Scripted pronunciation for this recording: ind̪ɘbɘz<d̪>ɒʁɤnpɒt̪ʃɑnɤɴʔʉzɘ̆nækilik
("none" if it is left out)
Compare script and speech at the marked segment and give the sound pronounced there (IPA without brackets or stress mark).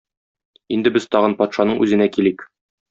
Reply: t̪